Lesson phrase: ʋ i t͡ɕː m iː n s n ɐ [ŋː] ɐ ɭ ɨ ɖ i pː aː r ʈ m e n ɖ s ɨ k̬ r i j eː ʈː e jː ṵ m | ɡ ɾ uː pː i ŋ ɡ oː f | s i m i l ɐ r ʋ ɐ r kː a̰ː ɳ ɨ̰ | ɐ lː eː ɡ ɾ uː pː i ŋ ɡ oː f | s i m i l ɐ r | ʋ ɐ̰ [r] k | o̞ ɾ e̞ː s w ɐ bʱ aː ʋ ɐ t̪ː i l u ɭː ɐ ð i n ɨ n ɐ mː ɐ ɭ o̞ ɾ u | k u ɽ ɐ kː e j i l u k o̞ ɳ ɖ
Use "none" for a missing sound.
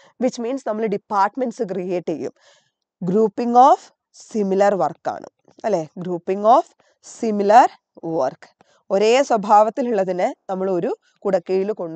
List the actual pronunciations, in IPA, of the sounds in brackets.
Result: mː, r

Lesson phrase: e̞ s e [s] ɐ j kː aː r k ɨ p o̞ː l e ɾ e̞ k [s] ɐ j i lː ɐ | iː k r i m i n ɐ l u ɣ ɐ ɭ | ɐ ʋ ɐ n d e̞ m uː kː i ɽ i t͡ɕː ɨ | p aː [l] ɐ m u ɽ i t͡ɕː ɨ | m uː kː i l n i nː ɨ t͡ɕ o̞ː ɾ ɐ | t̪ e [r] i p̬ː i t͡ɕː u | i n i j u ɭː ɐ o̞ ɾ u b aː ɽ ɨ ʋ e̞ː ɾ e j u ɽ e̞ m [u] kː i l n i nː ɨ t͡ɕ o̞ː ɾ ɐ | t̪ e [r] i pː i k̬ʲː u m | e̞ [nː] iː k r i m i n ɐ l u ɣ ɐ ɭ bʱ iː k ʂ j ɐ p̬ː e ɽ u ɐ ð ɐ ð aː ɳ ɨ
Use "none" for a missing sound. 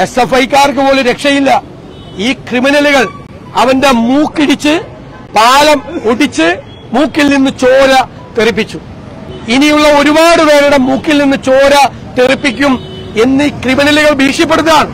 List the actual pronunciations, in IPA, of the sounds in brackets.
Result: f, ʂ, l, r, uː, r, nː

